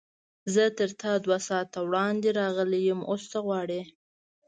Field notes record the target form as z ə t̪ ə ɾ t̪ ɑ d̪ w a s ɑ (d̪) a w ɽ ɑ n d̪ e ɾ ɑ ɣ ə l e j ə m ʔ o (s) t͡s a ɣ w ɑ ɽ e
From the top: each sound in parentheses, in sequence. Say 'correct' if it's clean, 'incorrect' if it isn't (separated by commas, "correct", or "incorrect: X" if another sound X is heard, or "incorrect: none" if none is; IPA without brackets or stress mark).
incorrect: t̪, correct